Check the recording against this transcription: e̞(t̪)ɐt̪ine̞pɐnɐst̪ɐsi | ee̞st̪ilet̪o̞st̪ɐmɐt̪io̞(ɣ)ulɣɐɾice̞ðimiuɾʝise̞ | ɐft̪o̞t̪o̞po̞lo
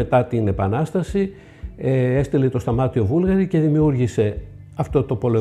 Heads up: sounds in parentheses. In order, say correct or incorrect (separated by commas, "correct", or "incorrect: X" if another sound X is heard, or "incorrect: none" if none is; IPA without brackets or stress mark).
correct, incorrect: v